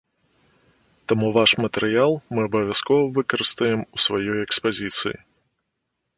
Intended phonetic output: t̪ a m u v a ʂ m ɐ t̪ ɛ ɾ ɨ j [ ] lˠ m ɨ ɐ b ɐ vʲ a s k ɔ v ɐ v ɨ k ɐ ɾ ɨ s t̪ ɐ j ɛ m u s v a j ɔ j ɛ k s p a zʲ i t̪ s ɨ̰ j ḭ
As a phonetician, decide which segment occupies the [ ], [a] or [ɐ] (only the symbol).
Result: a